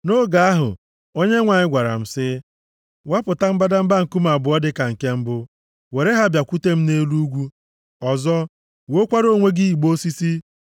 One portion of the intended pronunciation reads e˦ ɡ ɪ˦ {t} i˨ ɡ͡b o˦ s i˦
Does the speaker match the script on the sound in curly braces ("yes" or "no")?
no